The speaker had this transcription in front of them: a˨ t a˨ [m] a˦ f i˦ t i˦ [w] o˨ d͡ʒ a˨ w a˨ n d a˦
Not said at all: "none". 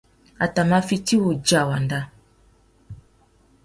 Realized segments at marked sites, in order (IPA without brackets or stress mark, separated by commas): m, w